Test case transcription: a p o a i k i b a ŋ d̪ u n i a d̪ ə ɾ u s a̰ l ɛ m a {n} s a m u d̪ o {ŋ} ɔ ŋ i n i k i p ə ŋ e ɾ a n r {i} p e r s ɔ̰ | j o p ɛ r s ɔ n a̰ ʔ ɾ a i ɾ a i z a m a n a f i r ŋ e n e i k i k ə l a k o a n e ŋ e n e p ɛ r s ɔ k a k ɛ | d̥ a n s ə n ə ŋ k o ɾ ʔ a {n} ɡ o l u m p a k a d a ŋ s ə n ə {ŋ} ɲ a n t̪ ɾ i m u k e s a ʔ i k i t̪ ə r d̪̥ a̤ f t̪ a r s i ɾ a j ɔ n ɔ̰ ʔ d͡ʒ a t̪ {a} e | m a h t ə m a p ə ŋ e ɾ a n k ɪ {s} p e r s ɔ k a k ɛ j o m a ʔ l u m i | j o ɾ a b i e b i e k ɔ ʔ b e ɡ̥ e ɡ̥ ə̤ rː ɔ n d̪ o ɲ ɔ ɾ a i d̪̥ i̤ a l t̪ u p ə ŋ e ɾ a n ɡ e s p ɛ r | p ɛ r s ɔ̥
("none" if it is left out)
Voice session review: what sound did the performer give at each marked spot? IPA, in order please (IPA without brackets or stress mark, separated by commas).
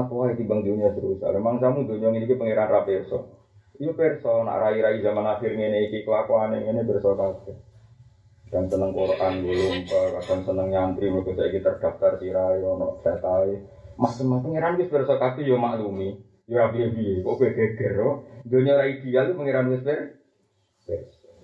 ŋ, ɲ, a, n, ŋ, a, s